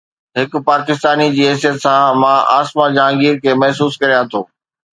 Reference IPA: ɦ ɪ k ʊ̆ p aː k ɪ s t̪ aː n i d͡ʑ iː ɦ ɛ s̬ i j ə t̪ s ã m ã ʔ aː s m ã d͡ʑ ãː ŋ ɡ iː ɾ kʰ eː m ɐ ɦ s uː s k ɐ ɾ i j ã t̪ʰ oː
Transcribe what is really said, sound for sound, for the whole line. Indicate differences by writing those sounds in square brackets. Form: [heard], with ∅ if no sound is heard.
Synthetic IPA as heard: ɦ ɪ k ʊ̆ p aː k ɪ s t̪ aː n i d͡ʑ iː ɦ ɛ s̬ i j ə t̪ s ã m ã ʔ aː s m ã d͡ʑ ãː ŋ ɡ iː ɾ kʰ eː m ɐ ɦ s uː s k ɐ ɾ i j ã t̪ʰ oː